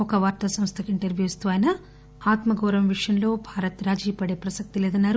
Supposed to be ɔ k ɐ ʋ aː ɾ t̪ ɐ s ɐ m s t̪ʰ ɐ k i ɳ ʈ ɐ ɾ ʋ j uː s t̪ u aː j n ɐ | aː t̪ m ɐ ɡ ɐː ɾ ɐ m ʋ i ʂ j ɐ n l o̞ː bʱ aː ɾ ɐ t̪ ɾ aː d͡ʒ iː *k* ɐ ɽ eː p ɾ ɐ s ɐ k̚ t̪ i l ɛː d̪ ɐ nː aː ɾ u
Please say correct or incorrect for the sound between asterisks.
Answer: incorrect